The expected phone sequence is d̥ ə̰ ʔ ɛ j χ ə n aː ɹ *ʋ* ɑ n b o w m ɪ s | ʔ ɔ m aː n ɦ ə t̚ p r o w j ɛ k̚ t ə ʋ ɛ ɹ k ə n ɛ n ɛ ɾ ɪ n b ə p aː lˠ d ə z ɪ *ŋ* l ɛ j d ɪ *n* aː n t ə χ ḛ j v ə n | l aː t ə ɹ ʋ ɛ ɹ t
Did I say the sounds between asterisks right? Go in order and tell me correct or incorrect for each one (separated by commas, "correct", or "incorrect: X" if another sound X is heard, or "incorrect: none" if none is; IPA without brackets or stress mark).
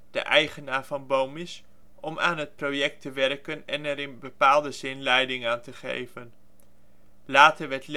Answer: incorrect: v, incorrect: n, incorrect: ŋ